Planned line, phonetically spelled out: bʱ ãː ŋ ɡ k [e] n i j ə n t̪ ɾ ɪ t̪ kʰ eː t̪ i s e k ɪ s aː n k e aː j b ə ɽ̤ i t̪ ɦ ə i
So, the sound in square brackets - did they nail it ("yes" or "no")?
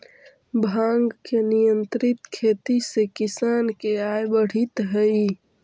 yes